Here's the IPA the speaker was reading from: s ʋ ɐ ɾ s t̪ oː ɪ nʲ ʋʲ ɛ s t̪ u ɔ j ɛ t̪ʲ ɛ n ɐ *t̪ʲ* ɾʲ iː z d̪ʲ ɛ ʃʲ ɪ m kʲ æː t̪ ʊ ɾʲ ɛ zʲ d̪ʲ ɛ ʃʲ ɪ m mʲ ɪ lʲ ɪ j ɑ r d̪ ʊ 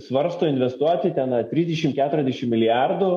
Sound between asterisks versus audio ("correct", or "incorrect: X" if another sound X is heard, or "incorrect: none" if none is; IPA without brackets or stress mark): correct